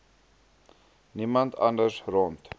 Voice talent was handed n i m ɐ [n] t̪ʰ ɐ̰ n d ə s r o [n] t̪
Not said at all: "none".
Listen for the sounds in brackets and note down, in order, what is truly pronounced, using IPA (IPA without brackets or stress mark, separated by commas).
n, n